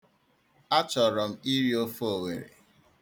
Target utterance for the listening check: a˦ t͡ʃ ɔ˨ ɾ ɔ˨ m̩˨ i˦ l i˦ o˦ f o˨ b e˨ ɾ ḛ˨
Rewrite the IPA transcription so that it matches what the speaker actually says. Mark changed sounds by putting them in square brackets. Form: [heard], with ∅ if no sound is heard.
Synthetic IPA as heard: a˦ t͡ʃ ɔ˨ ɾ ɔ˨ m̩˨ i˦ [ɾ] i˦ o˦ f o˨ [w] e˨ ɾ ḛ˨

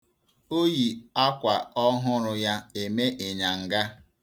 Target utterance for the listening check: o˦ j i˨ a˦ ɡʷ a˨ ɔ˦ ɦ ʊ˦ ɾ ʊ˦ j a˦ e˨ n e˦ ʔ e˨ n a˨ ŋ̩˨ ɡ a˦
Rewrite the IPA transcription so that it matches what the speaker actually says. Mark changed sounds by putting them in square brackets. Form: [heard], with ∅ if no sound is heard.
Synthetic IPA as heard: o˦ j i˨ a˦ [kʷ] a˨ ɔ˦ ɦ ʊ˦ ɾ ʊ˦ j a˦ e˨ [m] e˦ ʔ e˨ [ɲ] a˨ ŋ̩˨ ɡ a˦

